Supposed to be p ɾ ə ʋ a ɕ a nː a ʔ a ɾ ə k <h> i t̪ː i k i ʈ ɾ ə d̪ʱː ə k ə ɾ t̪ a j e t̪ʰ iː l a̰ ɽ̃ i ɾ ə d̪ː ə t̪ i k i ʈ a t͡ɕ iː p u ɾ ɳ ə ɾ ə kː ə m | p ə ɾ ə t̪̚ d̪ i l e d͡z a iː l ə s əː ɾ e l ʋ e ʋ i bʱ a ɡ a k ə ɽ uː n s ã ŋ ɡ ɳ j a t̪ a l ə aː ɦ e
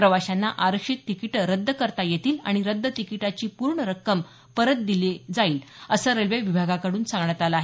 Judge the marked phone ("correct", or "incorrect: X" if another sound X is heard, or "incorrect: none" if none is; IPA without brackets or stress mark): incorrect: ʂ